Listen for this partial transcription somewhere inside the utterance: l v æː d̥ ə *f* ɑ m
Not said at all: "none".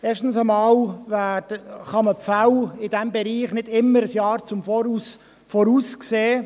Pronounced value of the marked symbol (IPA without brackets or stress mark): χ